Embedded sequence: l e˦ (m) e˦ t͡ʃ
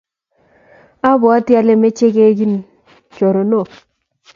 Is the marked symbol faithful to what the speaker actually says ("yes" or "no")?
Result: yes